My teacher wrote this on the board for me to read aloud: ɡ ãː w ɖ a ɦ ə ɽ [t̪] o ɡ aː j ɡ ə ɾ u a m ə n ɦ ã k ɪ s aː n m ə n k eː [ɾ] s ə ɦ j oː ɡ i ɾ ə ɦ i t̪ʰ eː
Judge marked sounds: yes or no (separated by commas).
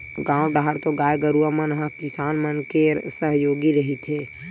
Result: yes, yes